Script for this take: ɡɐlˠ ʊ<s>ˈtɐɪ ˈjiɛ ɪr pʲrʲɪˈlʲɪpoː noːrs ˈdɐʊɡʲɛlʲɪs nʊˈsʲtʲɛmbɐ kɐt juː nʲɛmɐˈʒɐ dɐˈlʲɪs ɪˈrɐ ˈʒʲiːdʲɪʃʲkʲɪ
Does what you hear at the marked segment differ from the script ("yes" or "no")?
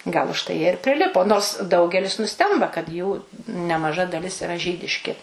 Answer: yes